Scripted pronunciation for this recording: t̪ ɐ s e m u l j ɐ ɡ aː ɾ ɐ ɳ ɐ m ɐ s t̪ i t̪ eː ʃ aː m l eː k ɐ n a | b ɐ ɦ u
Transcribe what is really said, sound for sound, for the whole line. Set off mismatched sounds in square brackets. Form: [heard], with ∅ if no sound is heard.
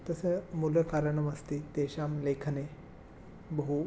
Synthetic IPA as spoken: t̪ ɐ s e m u l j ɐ [k] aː ɾ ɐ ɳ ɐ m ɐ s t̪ i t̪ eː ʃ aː m l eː [kʰ] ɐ n [e] | b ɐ ɦ u